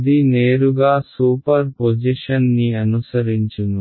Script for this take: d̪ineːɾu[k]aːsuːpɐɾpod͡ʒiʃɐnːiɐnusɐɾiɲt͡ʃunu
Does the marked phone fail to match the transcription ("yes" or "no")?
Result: yes